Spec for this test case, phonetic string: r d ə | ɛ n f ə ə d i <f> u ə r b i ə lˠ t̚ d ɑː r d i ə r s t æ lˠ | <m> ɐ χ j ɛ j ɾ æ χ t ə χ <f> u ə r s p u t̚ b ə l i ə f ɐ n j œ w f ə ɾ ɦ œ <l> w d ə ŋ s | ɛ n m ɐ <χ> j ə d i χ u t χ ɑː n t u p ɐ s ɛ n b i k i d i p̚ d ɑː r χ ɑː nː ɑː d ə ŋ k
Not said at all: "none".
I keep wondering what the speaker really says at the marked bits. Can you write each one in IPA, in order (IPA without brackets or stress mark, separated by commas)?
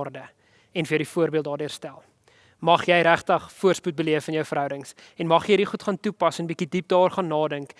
f, m, f, none, χ